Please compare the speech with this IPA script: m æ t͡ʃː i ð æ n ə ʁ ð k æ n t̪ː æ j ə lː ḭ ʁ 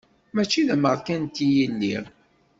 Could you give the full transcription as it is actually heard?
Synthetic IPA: m æ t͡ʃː i ð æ m ə ʁ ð k æ n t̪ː i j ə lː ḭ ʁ